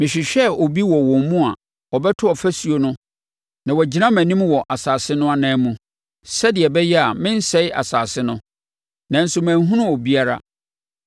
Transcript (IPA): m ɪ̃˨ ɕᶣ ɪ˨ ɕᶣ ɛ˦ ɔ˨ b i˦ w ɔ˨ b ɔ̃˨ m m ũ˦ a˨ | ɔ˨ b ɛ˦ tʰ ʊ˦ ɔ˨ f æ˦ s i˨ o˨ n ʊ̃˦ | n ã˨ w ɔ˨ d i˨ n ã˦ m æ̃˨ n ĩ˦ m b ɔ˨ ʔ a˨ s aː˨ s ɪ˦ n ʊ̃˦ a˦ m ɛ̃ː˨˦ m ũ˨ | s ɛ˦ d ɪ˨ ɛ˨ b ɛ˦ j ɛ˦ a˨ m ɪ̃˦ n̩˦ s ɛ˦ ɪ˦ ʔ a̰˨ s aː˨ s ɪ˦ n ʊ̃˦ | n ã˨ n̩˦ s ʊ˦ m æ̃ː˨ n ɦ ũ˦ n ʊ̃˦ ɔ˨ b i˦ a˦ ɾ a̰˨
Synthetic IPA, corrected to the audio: m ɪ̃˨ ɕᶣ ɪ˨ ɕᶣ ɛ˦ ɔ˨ b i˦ w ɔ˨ w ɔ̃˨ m m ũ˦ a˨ | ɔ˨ b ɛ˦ tʰ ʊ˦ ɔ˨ f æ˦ s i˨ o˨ n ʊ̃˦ | n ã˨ w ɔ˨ d͡ʑ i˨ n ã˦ m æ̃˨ n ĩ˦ m w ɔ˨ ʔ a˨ s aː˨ s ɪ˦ n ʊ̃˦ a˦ n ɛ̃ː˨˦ m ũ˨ | s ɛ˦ d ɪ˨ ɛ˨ b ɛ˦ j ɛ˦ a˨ m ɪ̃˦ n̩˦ s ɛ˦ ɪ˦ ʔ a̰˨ s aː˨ s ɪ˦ n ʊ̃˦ | n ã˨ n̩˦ s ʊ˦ m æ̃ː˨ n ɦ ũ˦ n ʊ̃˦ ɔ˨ b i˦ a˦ ɾ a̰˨